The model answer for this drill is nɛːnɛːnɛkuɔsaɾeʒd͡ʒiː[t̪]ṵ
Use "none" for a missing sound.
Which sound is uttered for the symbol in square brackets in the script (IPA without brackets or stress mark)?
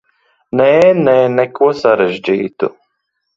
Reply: t̪